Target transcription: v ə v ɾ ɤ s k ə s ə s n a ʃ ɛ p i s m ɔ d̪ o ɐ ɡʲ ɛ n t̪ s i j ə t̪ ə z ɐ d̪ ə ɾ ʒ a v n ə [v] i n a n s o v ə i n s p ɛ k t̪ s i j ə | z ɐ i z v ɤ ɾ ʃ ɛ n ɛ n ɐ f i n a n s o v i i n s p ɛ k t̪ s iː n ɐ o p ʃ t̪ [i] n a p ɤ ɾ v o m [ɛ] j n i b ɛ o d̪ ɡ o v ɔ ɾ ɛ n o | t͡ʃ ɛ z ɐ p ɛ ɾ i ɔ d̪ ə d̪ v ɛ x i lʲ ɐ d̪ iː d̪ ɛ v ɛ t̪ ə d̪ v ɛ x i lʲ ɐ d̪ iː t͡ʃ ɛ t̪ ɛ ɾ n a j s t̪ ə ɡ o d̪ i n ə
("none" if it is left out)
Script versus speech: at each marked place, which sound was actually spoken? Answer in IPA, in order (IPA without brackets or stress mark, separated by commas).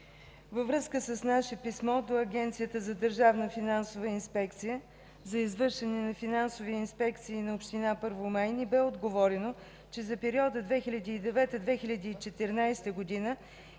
f, i, a